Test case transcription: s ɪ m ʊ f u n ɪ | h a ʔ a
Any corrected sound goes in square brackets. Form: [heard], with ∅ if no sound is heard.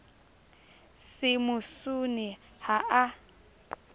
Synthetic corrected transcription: s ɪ m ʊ [s] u n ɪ | h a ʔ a